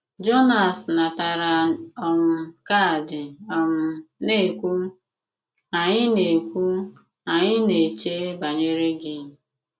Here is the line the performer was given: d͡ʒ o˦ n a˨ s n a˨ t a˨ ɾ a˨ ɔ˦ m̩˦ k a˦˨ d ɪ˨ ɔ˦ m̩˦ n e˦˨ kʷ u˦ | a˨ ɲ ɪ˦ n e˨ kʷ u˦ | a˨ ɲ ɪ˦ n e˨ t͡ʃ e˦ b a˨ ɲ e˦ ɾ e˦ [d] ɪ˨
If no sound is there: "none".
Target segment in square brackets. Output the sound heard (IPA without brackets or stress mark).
ɡ